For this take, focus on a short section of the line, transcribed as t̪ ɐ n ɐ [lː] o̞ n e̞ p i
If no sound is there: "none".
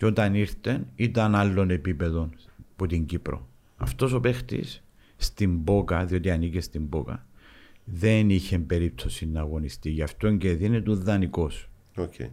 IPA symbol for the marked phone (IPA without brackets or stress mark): lː